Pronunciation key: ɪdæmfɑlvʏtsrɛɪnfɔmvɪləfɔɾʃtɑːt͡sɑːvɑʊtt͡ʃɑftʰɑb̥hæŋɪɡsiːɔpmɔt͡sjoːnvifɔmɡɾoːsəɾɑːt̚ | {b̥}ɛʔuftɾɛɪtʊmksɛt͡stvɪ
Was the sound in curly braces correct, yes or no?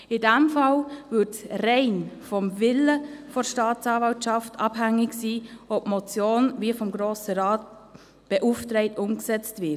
yes